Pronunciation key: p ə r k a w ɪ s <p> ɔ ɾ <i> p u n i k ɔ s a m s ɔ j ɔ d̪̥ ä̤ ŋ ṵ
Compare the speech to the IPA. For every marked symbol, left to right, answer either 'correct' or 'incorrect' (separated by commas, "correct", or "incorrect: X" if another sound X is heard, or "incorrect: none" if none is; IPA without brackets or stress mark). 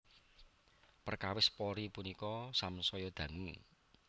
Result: correct, correct